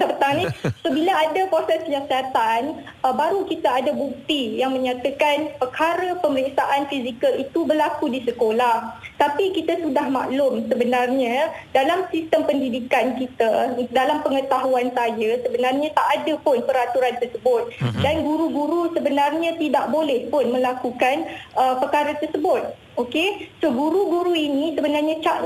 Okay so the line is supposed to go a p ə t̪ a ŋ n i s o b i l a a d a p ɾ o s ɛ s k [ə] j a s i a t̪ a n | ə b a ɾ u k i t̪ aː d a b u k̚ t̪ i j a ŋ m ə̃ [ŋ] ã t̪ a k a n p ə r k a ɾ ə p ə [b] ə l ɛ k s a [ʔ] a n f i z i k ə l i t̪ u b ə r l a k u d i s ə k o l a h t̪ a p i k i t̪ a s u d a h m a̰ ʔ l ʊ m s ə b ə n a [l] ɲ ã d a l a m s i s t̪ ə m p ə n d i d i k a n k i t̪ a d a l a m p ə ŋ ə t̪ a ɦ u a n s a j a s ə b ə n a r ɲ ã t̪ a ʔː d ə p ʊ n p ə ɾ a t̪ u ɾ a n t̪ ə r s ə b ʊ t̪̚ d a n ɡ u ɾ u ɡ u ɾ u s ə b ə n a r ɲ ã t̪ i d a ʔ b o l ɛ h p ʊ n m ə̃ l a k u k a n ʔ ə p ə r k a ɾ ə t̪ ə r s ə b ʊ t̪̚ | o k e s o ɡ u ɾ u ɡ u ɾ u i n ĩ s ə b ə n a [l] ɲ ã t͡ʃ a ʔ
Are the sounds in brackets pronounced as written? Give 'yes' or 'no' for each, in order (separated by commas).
yes, no, no, yes, no, no